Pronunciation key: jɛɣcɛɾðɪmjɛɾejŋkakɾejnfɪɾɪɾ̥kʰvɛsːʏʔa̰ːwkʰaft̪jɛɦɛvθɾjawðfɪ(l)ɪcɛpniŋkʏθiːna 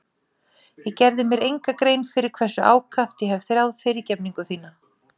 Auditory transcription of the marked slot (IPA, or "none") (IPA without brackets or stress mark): ɾ